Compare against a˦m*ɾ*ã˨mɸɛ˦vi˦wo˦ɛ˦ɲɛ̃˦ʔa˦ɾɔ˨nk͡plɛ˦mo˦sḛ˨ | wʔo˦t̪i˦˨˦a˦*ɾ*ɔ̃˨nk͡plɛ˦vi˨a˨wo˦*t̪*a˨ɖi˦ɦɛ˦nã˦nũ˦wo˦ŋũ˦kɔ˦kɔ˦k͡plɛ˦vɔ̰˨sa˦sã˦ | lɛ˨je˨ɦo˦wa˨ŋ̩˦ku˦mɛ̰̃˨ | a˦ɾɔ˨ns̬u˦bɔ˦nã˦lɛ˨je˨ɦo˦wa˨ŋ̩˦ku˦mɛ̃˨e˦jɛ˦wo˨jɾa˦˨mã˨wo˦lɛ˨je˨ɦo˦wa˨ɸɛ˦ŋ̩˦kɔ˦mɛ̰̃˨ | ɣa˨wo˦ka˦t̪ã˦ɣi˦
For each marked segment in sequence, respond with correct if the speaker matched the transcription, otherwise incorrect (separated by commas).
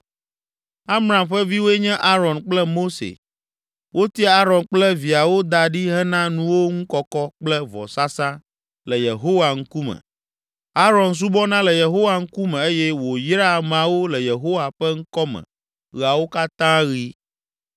correct, correct, incorrect